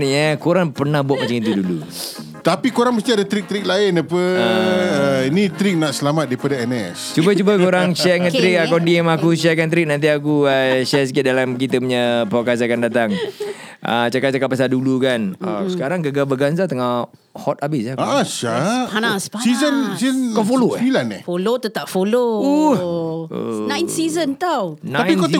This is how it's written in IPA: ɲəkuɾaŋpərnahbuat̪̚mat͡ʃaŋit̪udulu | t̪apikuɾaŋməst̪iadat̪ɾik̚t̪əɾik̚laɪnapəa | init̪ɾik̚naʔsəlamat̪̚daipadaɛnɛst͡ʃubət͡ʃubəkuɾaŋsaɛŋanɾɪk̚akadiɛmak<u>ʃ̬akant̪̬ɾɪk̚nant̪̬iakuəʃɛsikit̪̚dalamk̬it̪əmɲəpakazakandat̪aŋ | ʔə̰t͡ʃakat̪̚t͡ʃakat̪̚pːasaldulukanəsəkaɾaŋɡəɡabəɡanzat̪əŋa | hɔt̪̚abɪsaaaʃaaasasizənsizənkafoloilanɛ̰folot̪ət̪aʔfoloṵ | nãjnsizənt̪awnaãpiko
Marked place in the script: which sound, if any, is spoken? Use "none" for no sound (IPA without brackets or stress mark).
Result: u